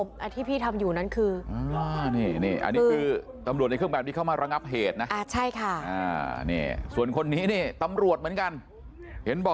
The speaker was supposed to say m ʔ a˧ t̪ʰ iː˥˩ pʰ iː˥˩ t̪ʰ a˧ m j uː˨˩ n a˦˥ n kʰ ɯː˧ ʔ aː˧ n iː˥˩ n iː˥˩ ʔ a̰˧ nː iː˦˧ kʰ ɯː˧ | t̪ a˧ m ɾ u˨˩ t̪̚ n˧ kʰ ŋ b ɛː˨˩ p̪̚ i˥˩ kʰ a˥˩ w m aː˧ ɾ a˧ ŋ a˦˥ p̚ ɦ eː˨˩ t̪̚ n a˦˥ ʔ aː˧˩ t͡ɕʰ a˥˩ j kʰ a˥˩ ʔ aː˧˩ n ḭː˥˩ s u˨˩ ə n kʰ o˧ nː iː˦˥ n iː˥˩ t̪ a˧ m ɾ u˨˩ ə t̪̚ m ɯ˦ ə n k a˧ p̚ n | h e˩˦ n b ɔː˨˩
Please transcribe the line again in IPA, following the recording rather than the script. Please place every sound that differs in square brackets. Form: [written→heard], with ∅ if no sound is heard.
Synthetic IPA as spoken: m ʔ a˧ t̪ʰ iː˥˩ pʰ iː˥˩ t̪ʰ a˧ m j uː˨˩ n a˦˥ n kʰ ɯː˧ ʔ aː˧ n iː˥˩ n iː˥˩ ʔ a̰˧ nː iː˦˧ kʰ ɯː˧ | t̪ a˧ m ɾ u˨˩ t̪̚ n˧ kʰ ŋ b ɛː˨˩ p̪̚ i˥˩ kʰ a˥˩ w m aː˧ ɾ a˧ ŋ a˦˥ p̚ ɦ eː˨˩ t̪̚ n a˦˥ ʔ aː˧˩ t͡ɕʰ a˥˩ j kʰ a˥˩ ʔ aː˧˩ n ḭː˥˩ s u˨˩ ə n kʰ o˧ nː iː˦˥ n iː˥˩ t̪ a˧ m ɾ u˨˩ ə t̪̚ m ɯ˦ ə n k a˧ [p̚→∅] n | h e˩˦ n b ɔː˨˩